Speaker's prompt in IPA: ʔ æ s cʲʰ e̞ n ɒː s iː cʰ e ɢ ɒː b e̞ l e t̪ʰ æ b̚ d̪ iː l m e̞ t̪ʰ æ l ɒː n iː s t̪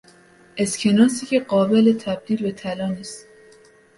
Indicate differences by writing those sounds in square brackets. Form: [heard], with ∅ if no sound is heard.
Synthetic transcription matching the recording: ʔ [e] s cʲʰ e̞ n ɒː s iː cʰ e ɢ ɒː b e̞ l e t̪ʰ æ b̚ d̪ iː l [b] e̞ t̪ʰ æ l ɒː n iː s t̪